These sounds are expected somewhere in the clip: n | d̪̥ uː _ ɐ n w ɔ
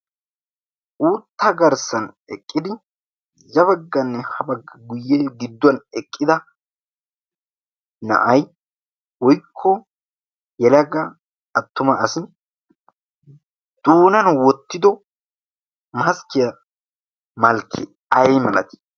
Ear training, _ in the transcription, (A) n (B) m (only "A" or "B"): A